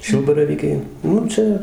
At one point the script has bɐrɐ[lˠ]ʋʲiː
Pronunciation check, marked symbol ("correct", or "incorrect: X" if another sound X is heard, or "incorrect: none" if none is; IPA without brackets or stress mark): incorrect: none